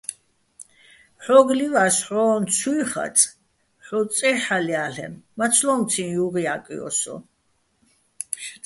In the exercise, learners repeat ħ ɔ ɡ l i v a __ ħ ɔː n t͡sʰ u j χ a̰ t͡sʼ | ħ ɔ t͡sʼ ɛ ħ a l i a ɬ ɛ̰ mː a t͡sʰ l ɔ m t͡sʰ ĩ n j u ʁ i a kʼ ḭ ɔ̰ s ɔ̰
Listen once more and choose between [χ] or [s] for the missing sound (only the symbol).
s